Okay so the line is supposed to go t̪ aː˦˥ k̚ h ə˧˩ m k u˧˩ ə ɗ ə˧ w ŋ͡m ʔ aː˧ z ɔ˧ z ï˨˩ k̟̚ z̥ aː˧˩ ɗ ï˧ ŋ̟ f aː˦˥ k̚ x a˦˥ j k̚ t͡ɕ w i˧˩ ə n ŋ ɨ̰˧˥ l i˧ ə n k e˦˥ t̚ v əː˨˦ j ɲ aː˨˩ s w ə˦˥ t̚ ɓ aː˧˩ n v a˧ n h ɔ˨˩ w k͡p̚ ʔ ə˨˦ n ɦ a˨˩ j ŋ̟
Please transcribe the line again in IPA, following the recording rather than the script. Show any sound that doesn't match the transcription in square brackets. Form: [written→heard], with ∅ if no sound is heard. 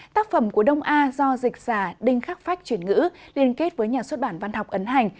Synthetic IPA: t̪ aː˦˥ k̚ [h→f] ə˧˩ m k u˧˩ ə ɗ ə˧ w ŋ͡m ʔ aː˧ z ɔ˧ z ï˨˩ k̟̚ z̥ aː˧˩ ɗ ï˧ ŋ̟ [f→x] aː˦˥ k̚ [x→f] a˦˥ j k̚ t͡ɕ w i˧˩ ə n ŋ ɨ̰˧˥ l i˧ ə n k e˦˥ t̚ v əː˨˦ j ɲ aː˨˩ s w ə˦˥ t̚ ɓ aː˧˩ n v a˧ n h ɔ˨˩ w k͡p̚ ʔ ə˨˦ n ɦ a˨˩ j ŋ̟